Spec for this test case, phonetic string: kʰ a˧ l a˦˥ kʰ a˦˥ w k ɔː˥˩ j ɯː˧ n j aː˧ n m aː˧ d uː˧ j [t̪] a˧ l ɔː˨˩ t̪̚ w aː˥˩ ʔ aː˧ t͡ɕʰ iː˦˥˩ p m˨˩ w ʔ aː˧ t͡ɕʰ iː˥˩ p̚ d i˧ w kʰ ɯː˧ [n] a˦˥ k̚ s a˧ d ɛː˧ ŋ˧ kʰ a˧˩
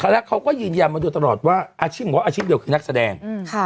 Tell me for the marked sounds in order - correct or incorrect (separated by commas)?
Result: correct, correct